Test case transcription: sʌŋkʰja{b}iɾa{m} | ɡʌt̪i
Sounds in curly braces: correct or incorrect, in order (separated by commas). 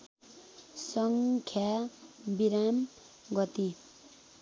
correct, correct